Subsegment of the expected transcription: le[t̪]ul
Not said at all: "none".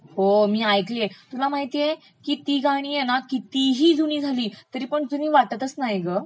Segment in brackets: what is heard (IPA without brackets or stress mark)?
t̪